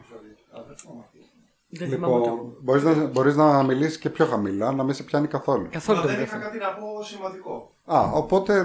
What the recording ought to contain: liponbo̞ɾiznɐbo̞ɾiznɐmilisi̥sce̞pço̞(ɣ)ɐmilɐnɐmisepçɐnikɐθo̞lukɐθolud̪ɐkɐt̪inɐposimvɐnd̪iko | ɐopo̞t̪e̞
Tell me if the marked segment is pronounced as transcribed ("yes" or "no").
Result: no